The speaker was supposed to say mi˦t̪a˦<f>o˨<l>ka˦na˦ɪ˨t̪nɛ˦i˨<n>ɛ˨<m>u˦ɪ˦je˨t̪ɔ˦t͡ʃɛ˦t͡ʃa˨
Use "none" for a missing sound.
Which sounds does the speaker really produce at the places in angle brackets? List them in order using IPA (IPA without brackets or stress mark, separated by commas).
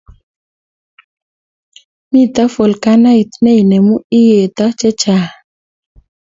f, l, n, m